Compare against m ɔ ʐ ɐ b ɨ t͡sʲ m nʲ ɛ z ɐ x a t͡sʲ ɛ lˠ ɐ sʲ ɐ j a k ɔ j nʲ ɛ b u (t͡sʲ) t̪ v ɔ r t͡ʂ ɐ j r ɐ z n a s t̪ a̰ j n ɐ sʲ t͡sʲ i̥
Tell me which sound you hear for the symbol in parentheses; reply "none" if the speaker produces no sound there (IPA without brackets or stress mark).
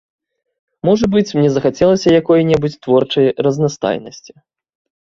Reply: t͡sʲ